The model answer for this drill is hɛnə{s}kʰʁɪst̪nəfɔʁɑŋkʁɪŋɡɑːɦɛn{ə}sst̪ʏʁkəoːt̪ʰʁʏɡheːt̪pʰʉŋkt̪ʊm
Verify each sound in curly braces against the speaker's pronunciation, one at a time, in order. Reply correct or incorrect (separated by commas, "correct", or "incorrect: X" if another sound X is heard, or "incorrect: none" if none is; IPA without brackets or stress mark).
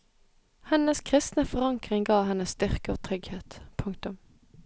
correct, correct